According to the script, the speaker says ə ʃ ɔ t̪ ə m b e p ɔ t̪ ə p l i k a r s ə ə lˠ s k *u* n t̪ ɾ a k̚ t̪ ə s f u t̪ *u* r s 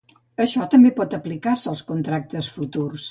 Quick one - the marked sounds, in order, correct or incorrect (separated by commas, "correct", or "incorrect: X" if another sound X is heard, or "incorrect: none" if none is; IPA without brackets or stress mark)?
correct, correct